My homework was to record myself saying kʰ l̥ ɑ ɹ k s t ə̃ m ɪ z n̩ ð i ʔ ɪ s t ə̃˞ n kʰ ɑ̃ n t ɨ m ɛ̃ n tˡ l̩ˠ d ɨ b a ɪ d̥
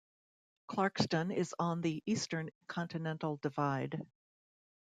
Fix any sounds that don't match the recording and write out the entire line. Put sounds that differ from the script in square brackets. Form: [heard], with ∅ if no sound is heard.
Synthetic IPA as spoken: kʰ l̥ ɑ ɹ k s t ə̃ [n] ɪ z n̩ ð i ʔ [i] s t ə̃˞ n kʰ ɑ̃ n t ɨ [n] ɛ̃ n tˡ l̩ˠ d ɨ [v] a ɪ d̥